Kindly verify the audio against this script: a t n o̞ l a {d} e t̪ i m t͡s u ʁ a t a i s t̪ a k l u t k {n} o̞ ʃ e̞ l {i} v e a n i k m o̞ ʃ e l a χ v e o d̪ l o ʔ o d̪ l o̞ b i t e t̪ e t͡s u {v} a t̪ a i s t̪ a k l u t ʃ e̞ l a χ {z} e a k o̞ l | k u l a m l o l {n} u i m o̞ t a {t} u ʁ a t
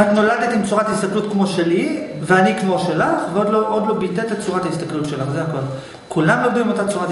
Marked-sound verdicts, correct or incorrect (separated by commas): correct, incorrect, correct, incorrect, correct, incorrect, incorrect